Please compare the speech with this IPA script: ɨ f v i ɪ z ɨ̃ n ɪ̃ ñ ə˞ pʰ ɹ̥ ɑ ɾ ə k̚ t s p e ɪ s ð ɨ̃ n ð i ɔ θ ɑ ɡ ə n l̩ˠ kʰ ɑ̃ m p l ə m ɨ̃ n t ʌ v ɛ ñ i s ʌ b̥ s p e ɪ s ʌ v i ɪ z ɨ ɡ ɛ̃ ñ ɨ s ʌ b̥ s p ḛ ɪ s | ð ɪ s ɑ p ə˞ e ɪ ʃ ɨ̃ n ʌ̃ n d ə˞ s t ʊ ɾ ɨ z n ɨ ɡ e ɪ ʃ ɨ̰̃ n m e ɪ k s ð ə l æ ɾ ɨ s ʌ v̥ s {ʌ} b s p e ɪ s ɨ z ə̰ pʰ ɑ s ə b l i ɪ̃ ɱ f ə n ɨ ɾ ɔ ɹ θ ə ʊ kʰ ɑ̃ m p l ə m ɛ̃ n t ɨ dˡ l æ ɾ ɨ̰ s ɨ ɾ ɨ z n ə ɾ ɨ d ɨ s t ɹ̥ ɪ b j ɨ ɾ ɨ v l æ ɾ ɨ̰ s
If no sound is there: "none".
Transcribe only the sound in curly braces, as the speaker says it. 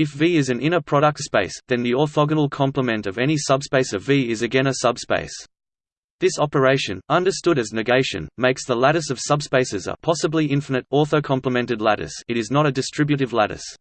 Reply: ʌ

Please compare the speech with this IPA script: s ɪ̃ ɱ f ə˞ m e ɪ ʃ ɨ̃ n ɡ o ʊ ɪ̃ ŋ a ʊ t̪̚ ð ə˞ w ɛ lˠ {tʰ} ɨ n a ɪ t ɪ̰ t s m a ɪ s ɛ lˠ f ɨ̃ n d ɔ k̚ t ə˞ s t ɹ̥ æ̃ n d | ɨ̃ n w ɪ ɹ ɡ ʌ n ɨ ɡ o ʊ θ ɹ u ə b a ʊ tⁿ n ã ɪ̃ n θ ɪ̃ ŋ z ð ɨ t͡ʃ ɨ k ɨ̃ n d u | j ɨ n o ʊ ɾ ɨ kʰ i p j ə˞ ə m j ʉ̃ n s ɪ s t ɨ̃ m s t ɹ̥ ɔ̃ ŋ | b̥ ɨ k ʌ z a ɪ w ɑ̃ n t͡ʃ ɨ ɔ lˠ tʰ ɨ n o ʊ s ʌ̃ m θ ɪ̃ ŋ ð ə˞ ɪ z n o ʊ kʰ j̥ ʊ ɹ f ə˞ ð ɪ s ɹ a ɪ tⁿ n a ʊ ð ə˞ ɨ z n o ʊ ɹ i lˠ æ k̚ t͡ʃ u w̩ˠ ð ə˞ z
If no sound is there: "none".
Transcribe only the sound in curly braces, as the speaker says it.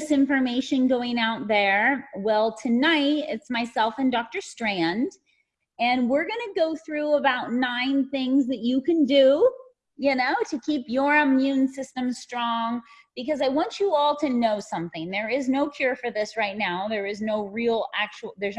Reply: tʰ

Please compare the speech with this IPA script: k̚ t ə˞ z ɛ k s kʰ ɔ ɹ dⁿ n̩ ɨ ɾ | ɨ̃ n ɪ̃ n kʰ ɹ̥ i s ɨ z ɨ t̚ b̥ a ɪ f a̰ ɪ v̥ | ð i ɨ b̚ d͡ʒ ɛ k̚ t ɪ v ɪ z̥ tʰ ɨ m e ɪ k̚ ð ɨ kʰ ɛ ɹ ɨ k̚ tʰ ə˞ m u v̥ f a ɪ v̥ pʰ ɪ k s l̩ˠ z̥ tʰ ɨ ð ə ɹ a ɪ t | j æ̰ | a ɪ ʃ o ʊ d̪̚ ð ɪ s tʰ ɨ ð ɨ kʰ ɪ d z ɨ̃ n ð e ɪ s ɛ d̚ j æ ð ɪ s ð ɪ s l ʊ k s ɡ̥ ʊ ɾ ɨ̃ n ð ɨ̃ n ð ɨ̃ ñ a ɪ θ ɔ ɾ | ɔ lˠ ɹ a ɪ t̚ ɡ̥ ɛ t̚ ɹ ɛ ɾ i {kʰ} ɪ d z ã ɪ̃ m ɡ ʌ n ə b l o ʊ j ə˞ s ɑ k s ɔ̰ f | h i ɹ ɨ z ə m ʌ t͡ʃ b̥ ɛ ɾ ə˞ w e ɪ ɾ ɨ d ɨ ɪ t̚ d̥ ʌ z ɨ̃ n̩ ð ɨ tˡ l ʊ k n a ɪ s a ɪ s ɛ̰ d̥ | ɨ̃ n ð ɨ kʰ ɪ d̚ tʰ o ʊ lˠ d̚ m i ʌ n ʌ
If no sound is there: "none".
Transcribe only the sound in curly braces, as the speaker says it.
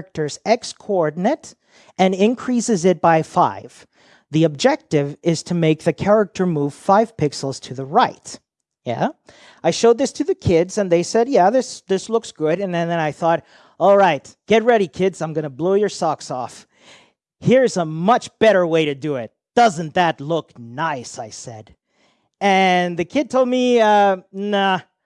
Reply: kʰ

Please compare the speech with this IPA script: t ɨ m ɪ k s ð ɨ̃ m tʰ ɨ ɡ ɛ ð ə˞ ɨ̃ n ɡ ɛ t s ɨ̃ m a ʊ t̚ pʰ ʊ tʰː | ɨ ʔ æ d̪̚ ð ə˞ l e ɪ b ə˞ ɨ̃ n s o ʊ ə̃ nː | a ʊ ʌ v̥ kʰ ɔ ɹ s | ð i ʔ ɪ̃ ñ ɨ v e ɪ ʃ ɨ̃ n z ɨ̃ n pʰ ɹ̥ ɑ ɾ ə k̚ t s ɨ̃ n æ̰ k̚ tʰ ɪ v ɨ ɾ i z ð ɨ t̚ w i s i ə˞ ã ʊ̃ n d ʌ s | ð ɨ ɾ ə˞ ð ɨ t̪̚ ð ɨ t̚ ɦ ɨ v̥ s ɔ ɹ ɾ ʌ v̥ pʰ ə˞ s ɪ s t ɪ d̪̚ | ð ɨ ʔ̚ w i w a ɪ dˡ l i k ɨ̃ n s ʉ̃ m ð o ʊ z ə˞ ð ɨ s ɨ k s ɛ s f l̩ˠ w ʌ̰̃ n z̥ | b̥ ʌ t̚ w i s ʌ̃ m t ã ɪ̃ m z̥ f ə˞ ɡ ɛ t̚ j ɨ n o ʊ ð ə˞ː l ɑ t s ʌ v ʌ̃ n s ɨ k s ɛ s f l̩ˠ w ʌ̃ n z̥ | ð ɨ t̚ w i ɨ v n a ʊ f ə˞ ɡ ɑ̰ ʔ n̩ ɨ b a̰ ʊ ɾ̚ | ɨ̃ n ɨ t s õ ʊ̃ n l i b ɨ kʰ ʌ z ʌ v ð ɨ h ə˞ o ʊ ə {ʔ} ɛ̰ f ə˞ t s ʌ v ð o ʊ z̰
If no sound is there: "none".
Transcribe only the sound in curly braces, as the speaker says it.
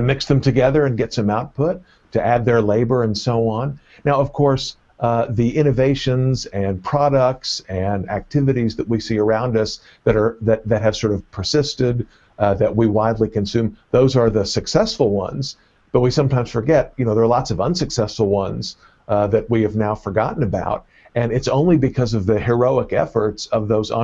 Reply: k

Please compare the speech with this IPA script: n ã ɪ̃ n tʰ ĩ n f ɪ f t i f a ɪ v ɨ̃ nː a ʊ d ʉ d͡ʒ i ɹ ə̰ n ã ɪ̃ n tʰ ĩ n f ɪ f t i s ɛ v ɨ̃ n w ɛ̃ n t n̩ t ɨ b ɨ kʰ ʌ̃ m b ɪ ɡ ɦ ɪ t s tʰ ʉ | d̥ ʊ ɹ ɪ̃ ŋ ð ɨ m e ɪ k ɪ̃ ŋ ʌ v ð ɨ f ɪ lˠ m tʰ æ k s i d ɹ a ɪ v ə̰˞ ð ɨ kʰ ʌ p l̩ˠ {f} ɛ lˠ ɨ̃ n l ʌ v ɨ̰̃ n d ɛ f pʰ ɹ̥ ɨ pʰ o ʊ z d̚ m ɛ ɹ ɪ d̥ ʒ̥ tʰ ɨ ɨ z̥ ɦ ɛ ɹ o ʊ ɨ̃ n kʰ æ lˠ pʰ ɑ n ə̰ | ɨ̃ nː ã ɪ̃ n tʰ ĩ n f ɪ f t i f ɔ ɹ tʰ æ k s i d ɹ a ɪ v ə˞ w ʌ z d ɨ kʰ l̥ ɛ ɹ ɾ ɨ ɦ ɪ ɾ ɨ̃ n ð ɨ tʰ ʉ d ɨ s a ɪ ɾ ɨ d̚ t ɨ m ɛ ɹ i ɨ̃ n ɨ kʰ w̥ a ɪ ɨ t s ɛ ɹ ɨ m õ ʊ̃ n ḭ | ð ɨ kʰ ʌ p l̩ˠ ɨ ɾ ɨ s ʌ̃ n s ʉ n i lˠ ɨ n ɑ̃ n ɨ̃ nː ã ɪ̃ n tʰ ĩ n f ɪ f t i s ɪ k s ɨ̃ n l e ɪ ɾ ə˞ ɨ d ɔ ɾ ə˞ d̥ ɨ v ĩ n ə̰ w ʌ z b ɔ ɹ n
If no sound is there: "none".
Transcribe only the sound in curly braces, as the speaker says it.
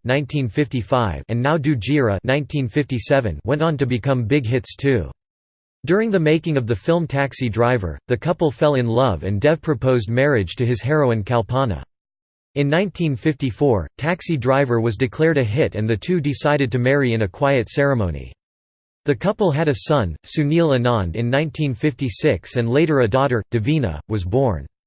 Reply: f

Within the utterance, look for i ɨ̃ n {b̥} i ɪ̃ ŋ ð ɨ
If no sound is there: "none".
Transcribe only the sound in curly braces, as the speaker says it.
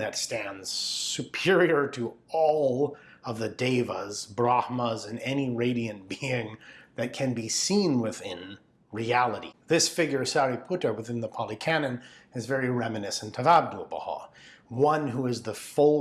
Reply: b̥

